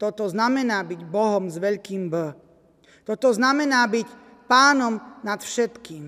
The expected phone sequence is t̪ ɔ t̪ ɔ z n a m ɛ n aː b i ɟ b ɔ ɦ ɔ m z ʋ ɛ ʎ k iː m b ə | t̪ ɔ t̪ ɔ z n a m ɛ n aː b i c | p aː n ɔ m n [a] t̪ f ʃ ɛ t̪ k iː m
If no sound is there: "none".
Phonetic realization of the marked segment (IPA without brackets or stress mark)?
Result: a